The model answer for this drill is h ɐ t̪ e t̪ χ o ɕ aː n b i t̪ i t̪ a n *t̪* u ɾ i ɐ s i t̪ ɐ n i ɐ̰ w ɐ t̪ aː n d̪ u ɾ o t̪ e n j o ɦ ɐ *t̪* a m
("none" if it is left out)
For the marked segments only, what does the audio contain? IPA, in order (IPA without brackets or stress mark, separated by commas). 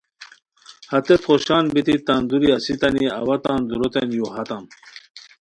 d̪, t̪